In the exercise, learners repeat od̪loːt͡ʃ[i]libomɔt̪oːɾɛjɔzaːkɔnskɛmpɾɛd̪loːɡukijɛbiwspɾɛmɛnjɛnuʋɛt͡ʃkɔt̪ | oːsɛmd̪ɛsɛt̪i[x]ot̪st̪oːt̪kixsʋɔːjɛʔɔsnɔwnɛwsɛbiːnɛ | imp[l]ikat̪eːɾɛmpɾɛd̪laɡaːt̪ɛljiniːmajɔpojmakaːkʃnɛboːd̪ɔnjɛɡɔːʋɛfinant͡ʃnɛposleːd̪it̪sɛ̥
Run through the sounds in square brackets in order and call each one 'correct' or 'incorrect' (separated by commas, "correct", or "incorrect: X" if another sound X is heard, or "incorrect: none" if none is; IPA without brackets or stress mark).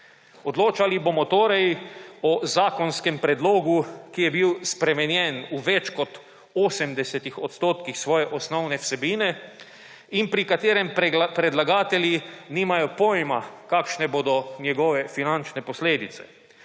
incorrect: a, correct, incorrect: ɾ